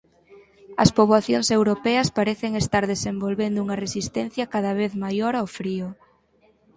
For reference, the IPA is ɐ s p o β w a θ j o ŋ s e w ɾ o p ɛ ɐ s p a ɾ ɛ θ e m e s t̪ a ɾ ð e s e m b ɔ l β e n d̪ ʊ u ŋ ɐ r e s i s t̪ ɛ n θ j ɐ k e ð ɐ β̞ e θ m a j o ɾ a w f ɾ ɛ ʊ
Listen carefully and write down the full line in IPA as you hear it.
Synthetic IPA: ɐ s p o β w a θ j o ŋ s e w ɾ o p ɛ ɐ s p a ɾ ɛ θ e ŋ e s t̪ a ɾ ð e s e m b o l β e n d̪ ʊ u ŋ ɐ r e s i s t̪ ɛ n θ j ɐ k a ð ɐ β̞ e θ m a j o ɾ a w f ɾ i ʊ

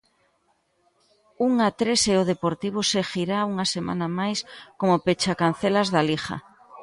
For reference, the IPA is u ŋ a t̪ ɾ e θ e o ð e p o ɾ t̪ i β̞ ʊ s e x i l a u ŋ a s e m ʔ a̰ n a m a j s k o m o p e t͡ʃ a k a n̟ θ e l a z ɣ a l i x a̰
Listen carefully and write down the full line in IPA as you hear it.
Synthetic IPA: u ŋ a t̪ ɾ e s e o ð e p o ɾ t̪ i β̞ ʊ s e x i ɾ a u ŋ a s e m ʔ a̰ n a m a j s k o m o p e t͡ʃ a k a n̟ θ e l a z ð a l i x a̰

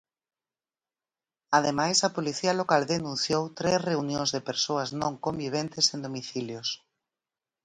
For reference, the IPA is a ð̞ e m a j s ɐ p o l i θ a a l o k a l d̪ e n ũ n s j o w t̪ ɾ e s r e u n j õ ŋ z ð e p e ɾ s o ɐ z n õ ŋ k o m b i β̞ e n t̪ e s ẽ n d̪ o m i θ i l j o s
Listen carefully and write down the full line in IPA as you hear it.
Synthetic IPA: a ð̞ e m a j s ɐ p o l i θ i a l o k a l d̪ e n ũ n θ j o w t̪ ɾ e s r e u n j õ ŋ z ð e p e ɾ s o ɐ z n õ ŋ k o m b i β̞ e n t̪ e s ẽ n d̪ o m i θ i l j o s

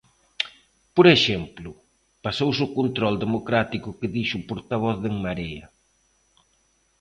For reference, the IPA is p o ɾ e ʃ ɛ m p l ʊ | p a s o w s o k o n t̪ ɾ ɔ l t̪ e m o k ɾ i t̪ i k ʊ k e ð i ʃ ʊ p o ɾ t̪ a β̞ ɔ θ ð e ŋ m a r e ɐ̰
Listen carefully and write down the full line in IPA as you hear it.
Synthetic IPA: p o ɾ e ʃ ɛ m p l ʊ | p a s o w s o k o n t̪ ɾ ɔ l d̪ e m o k ɾ a t̪ i k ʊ k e ð i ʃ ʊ p o ɾ t̪ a β̞ ɔ θ ð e ŋ m a ɾ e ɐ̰

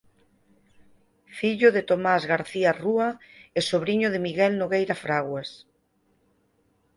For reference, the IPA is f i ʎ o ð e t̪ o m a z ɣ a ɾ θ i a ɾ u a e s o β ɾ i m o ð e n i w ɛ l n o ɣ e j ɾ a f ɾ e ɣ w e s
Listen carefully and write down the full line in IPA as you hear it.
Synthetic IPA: f i ʎ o ð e t̪ o m a z ɣ a ɾ θ i a r u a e s o β ɾ i ɲ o ð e m i ɣ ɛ l n o ɣ e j ɾ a f ɾ a ɣ w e s

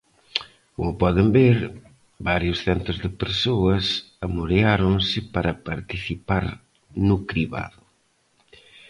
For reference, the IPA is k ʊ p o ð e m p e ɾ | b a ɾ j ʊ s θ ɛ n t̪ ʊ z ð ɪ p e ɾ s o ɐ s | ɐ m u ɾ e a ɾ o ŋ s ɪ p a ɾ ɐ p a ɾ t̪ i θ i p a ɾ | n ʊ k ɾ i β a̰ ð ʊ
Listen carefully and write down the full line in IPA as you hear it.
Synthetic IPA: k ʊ p ɔ ð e m b e ɾ | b a ɾ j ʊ s θ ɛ n t̪ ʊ z ð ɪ p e ɾ s o ɐ s | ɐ m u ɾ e a ɾ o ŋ s ɪ p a ɾ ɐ p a ɾ t̪ i θ i p a ɾ | n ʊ k ɾ i β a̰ ð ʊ

